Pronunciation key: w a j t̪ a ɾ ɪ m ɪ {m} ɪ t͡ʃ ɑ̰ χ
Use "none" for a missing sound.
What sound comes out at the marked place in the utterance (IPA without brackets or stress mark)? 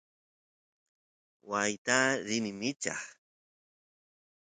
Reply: m